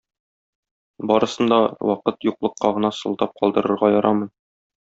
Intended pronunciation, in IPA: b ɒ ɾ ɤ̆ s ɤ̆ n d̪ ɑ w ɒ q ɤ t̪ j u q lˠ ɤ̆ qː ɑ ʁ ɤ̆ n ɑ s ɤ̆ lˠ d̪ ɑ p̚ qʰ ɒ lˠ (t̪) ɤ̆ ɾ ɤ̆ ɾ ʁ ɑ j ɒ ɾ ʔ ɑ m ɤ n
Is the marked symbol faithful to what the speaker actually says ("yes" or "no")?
no